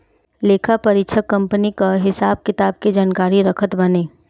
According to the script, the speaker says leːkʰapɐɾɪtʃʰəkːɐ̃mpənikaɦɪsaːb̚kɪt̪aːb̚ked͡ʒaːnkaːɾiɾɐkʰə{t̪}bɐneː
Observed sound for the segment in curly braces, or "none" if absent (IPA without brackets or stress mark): t̪